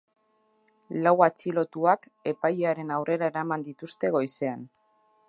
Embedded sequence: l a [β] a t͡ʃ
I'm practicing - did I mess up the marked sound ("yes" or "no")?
yes